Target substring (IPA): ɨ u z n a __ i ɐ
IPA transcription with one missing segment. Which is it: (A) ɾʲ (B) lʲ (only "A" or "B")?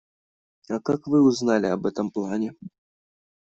B